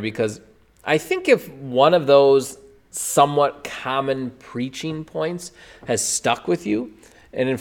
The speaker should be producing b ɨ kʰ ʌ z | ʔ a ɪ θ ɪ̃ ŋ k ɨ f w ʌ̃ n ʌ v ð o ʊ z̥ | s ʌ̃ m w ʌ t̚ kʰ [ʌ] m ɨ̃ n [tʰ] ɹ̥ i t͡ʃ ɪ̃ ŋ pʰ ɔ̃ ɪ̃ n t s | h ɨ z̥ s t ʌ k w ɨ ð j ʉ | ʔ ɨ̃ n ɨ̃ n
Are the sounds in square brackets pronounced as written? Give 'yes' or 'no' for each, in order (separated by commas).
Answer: no, no